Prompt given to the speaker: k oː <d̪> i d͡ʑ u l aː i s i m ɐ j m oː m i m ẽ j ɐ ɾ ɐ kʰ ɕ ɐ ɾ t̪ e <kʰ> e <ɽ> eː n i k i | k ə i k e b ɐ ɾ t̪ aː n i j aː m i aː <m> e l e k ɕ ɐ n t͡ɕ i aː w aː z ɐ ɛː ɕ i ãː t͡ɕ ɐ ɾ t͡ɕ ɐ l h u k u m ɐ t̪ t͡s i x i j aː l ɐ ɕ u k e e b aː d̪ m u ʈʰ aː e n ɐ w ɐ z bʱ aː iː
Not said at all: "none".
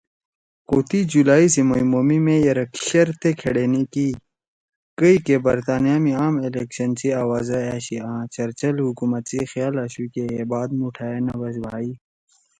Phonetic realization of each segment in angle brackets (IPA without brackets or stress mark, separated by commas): t̪, kʰ, ɽ, m